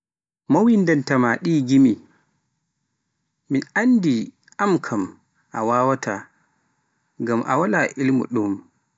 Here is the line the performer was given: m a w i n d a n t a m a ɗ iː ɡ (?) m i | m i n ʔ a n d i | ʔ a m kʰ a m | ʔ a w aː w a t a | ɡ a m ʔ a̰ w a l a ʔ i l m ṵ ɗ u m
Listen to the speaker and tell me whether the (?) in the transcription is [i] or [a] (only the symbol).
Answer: i